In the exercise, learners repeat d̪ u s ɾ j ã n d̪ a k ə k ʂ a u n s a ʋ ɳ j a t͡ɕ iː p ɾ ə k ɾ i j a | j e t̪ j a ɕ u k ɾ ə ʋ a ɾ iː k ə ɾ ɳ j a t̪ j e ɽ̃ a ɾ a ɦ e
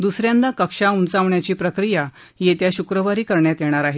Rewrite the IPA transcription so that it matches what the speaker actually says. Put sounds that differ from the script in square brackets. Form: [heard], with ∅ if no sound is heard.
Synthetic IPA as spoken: d̪ u s ɾ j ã n d̪ a k ə k ʂ a u n [t͡s] a ʋ ɳ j a t͡ɕ iː p ɾ ə k ɾ i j a | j e t̪ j a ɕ u k ɾ ə ʋ a ɾ iː k ə ɾ ɳ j a t̪ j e ɽ̃ a ɾ a ɦ e